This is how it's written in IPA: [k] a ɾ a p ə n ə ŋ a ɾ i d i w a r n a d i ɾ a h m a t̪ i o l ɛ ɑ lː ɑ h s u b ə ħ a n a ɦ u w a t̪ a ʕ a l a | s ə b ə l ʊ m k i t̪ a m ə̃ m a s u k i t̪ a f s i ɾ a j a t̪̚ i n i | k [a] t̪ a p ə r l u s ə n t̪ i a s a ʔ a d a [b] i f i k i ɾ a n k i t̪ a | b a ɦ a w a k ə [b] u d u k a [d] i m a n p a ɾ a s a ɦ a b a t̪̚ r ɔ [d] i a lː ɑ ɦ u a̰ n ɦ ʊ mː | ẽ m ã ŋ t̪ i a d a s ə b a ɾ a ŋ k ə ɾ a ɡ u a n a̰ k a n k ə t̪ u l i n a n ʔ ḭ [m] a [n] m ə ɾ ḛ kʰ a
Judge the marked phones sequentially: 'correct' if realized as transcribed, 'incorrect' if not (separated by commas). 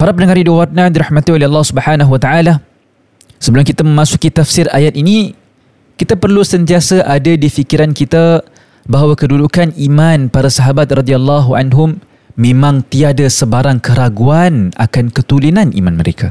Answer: incorrect, incorrect, incorrect, incorrect, incorrect, correct, correct, correct